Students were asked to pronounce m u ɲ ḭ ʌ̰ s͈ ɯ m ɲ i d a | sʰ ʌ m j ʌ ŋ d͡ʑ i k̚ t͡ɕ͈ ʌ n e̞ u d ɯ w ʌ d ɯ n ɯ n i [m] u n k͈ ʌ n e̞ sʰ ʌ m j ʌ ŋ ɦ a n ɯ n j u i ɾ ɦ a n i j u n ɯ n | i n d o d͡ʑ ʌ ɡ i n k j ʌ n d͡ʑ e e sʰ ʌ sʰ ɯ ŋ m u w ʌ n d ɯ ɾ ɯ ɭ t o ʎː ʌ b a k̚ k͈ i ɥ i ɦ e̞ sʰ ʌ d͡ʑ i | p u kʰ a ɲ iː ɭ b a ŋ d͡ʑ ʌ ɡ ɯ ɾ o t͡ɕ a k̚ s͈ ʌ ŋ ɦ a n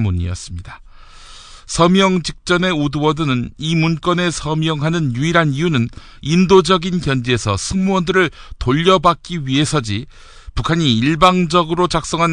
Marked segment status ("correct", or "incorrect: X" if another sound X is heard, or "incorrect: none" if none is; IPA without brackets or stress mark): correct